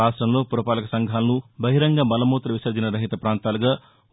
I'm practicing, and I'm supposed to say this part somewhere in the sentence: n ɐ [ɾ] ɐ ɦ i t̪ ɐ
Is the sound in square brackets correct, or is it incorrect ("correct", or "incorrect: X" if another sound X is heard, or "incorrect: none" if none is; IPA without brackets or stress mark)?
correct